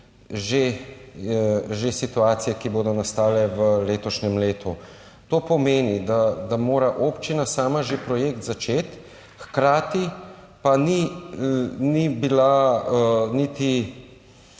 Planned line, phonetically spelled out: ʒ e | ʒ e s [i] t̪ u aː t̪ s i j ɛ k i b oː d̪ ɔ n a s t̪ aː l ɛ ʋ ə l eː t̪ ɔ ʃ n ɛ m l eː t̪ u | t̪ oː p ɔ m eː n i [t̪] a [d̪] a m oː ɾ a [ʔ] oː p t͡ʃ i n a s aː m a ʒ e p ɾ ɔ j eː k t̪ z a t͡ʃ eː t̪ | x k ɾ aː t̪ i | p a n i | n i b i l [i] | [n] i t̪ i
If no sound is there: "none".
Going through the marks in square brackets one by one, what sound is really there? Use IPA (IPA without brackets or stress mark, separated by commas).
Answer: i, d̪, d̪, ʔ, a, n